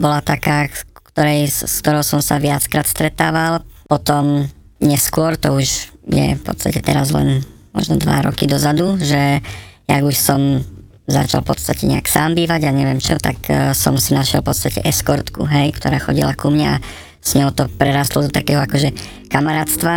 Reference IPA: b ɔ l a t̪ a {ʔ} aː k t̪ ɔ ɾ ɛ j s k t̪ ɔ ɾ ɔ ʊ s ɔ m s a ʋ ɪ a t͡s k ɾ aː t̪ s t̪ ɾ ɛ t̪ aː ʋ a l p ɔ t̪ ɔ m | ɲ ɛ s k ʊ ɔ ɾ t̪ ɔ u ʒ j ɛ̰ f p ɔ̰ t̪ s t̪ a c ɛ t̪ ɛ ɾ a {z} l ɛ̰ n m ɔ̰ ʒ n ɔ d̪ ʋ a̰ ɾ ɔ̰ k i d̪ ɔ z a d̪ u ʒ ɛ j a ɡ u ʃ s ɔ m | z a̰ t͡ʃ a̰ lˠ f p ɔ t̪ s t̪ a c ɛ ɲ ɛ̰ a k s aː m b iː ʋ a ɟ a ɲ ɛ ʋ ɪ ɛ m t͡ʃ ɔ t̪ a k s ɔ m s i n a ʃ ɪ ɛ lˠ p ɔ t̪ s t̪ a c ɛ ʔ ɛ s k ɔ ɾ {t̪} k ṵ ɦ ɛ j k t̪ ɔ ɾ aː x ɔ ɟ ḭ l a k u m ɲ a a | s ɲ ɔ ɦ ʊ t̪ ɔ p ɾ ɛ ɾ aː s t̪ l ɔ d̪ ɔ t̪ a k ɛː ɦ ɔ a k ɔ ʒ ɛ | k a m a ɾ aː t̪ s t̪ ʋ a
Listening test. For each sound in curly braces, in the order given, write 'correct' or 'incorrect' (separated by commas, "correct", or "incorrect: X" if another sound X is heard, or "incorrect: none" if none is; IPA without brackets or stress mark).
incorrect: k, correct, correct